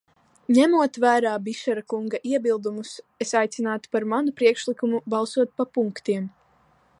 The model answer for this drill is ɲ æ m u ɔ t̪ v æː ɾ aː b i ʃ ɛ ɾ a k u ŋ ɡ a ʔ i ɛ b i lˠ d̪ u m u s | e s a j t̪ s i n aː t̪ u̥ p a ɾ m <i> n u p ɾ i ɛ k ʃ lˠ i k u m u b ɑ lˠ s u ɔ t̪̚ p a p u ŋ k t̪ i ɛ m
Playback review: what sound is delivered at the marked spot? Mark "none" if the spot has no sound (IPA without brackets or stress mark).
a